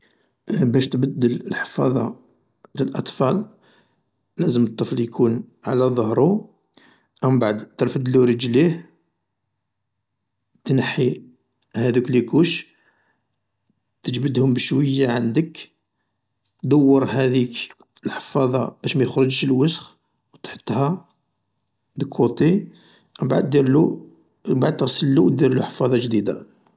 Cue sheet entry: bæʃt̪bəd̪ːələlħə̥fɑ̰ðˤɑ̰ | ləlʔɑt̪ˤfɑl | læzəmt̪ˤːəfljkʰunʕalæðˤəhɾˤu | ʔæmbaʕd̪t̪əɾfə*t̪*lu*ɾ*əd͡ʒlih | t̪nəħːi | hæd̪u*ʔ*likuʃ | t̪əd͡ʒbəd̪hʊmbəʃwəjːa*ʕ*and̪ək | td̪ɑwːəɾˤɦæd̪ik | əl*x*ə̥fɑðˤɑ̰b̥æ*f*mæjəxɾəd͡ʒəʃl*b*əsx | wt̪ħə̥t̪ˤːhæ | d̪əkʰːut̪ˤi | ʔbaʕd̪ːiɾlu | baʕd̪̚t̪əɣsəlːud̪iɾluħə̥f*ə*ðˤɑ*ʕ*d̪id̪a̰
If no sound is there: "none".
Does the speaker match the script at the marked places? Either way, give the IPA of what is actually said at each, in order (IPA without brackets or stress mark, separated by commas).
d̪, ɾ, k, ʕ, ħ, ʃ, w, ɑ, ʒ